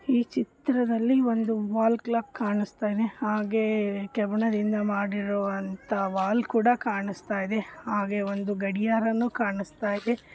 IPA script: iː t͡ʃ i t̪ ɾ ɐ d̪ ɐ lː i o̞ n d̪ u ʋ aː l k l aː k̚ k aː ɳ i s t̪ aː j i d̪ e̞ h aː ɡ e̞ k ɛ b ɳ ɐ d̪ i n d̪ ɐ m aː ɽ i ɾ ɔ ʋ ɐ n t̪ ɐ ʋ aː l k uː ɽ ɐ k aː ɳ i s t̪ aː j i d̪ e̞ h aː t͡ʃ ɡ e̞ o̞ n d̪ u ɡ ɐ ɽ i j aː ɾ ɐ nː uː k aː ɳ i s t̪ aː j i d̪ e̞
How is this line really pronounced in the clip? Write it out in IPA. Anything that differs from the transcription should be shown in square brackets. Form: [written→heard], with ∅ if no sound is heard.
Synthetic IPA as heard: iː t͡ʃ i t̪ ɾ ɐ d̪ ɐ lː i o̞ n d̪ u ʋ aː l k l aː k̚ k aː ɳ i s t̪ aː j i d̪ e̞ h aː ɡ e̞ k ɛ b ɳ ɐ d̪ i n d̪ ɐ m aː ɽ i ɾ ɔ ʋ ɐ n t̪ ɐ ʋ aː l k uː ɽ ɐ k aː ɳ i s t̪ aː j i d̪ e̞ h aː [t͡ʃ→∅] ɡ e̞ o̞ n d̪ u ɡ ɐ ɽ i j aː ɾ ɐ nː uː k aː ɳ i s t̪ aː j i d̪ e̞